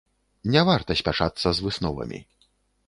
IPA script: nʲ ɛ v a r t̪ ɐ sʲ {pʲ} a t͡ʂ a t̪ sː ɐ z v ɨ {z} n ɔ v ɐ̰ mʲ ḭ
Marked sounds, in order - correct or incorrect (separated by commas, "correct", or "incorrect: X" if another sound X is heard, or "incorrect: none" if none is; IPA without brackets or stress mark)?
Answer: correct, incorrect: s